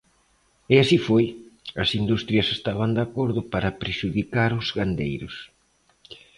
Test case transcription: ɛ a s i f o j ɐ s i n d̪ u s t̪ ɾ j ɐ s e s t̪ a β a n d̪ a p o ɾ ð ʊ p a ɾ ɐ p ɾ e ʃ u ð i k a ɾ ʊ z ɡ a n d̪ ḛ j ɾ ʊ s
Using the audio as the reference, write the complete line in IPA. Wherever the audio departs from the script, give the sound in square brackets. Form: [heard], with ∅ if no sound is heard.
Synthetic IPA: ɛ a s i f o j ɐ s i n d̪ u s t̪ ɾ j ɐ s e s t̪ a β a n d̪ a [k] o ɾ ð ʊ p a ɾ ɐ p ɾ e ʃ u ð i k a ɾ ʊ z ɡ a n d̪ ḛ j ɾ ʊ s